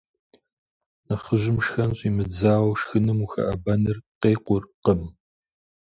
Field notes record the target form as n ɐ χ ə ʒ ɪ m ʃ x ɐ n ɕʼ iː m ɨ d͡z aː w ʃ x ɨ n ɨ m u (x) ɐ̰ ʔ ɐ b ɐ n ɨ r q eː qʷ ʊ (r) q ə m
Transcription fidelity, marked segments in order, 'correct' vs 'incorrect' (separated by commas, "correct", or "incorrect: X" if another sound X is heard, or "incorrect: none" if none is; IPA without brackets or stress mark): correct, correct